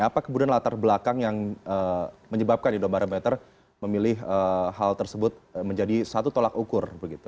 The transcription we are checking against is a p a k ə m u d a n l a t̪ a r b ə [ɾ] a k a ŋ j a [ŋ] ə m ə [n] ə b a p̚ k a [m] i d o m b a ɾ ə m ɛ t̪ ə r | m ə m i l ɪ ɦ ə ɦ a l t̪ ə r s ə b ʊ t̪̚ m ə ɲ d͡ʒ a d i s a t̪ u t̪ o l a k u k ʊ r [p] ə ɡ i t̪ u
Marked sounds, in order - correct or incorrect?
incorrect, correct, incorrect, incorrect, incorrect

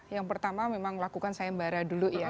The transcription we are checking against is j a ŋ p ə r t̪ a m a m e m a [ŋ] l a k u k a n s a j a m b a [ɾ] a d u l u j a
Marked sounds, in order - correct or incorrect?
correct, correct

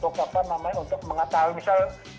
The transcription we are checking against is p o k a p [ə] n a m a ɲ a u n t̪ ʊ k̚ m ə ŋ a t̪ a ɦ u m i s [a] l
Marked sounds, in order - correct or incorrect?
incorrect, correct

